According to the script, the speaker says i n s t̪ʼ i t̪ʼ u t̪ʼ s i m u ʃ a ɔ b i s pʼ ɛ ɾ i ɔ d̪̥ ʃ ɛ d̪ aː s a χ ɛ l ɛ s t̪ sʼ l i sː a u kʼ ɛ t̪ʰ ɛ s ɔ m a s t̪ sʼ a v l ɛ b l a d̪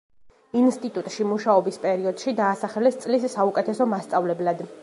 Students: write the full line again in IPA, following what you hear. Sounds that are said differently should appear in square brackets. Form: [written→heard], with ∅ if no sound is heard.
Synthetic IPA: i n s t̪ʼ i t̪ʼ u t̪ʼ [s→ʃ] i m u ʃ a ɔ b i s pʼ ɛ ɾ i ɔ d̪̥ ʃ [ɛ→i] d̪ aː s a χ ɛ l ɛ s t̪ sʼ l i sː a u kʼ ɛ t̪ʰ ɛ s ɔ m a s t̪ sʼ a v l ɛ b l a d̪